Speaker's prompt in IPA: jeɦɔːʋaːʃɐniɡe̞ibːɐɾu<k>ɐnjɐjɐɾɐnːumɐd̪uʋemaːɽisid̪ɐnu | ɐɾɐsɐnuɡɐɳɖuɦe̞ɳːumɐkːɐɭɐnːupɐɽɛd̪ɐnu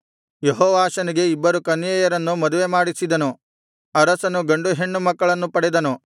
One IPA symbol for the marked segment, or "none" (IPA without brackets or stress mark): k